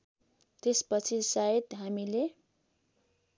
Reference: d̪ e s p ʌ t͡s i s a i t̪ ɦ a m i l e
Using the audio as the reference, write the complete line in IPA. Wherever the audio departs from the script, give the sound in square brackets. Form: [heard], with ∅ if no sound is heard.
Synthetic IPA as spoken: [t̪] e s p ʌ [t͡sʰ] i s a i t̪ ɦ a m i l e